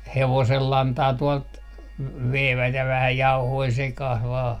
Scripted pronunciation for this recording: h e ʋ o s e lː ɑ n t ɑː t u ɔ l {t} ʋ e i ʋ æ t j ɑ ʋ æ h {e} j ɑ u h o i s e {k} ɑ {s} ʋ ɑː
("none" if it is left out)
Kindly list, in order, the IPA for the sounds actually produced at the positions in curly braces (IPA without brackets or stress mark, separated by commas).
t, æ, k, h